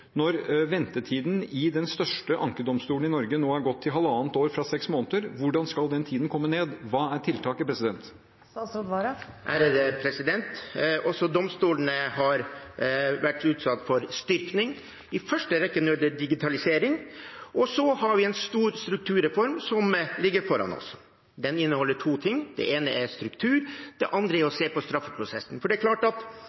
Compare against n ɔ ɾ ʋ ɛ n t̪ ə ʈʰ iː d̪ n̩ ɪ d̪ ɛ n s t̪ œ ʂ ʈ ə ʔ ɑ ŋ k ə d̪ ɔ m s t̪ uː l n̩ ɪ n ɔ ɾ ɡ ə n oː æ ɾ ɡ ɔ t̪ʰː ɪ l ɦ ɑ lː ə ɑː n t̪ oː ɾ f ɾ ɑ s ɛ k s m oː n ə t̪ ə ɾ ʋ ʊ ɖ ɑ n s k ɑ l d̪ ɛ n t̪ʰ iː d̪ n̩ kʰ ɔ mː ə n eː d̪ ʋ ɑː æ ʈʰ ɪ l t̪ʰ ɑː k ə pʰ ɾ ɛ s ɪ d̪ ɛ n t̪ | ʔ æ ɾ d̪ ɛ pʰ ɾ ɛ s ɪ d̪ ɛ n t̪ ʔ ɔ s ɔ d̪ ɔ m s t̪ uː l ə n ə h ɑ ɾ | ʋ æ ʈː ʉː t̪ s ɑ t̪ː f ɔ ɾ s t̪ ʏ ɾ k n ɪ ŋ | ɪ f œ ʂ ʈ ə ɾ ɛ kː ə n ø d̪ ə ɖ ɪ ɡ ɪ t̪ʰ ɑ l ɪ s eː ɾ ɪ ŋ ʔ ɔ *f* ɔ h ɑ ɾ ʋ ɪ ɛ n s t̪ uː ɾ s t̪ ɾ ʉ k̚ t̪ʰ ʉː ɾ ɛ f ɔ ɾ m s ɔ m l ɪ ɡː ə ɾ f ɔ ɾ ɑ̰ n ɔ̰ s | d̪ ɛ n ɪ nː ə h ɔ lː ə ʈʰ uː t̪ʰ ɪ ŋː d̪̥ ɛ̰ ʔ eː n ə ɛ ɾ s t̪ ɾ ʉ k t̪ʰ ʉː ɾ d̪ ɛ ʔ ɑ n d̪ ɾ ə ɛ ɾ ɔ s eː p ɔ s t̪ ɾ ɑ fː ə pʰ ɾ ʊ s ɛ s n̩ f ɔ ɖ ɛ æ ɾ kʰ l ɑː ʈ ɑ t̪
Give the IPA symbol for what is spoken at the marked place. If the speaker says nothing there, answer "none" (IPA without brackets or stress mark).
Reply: s